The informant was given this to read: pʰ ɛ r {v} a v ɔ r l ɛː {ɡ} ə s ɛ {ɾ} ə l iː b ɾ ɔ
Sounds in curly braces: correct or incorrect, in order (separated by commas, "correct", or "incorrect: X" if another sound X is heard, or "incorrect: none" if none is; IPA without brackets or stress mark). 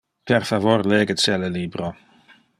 incorrect: f, correct, incorrect: l